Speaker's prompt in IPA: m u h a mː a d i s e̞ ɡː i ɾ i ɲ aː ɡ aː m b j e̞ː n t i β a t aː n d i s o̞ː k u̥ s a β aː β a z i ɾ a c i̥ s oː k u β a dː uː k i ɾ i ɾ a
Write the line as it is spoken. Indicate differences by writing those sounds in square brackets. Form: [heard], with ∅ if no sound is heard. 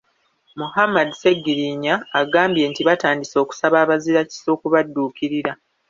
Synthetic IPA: m u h a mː a d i s e̞ ɡː i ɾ i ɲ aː ɡ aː m b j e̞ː n t i β a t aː n d i s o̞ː k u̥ s a β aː β a z i ɾ a c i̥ s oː k u β a dː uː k i ɾ i ɾ a